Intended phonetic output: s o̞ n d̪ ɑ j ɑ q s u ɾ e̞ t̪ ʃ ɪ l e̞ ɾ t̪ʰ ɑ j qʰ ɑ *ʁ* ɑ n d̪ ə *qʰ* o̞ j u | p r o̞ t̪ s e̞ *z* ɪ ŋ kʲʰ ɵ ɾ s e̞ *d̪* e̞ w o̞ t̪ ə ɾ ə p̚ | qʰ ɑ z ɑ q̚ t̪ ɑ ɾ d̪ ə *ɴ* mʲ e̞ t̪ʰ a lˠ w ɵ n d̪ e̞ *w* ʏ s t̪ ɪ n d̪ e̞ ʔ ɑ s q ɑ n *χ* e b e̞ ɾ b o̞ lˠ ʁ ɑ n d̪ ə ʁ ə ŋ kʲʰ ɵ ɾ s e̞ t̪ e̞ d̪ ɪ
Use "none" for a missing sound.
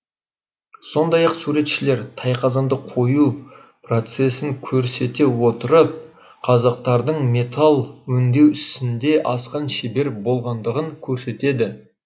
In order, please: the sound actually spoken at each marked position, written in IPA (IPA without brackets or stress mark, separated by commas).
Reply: z, qʰ, s, t̪, ɴ, w, ʃ